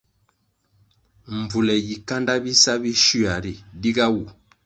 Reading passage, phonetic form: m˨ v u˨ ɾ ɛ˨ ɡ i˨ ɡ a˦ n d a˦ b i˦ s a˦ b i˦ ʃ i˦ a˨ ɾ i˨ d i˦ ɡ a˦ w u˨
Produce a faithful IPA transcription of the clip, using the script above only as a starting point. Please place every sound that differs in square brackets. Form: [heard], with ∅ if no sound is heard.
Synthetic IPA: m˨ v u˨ [l] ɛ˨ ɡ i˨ [k] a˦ n d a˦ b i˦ s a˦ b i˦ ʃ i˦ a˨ ɾ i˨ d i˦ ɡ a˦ w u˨